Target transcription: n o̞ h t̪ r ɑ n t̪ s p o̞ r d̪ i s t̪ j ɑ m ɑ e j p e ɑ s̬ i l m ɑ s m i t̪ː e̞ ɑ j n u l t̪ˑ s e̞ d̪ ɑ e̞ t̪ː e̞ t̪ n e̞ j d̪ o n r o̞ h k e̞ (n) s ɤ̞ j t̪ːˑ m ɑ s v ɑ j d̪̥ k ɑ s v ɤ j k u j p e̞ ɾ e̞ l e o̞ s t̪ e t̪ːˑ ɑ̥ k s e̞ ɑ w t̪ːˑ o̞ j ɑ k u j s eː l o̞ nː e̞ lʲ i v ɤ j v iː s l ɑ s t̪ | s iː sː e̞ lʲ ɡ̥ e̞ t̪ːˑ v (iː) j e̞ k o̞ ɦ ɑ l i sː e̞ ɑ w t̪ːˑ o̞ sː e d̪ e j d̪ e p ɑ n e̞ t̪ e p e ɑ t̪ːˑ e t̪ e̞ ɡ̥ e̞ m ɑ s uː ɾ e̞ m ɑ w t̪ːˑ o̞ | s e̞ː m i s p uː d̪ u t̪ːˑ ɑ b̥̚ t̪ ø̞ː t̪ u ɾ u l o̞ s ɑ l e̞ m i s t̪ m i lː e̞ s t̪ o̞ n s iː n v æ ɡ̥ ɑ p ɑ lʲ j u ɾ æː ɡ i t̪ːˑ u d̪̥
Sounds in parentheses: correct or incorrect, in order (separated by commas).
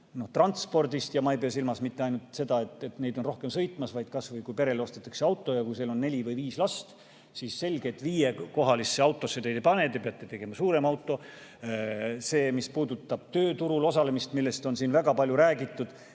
incorrect, correct